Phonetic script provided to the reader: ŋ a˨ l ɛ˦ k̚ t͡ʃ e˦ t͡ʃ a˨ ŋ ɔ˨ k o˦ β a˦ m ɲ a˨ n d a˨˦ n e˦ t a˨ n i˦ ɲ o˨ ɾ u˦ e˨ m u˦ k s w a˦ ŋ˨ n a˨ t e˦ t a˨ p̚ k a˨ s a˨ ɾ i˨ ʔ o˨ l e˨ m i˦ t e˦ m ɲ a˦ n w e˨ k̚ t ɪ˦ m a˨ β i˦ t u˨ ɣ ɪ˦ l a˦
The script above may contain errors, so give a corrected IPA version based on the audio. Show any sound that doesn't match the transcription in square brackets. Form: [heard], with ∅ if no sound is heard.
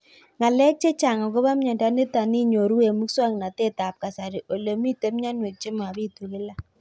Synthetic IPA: ŋ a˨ l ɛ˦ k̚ t͡ʃ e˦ t͡ʃ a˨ ŋ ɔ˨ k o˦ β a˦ m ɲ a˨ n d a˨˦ n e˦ t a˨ n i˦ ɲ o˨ ɾ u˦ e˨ m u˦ k s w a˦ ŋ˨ n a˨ t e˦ t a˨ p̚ k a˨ s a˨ ɾ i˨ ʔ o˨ l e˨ m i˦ t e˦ m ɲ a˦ n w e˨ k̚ [t͡ʃ] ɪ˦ m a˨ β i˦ t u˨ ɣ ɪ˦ l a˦